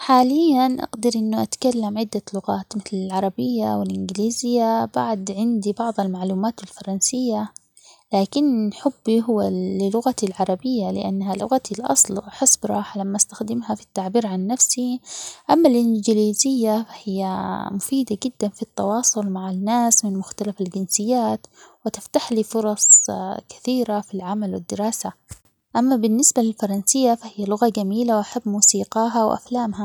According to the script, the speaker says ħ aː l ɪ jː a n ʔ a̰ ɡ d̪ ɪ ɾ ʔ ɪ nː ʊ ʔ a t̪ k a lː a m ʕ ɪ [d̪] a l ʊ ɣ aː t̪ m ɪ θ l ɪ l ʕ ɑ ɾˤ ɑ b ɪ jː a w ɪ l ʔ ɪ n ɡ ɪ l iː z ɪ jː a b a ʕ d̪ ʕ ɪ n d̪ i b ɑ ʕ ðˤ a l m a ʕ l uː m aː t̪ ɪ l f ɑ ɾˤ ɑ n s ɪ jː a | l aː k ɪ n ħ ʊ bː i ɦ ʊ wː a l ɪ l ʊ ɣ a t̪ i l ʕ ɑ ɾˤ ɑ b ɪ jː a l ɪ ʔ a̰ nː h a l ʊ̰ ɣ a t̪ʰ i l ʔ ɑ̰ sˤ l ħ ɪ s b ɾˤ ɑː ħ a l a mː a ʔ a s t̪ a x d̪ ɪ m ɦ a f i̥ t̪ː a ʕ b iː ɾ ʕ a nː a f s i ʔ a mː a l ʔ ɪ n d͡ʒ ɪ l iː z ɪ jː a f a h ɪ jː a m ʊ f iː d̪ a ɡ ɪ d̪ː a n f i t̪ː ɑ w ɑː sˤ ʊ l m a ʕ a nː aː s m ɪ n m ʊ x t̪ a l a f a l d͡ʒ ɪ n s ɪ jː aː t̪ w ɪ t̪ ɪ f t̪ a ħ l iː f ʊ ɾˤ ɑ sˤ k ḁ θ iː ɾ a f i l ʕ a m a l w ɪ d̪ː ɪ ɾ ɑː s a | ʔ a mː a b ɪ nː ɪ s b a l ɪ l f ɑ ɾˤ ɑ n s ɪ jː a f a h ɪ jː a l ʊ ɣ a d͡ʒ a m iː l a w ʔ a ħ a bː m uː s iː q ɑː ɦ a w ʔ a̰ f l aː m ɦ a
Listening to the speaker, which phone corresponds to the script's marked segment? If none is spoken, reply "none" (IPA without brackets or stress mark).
d̪ː